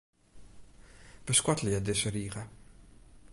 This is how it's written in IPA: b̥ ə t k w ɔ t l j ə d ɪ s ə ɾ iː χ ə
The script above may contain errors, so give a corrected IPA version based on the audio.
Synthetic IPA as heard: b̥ ə s k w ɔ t l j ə d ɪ s ə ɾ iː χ ə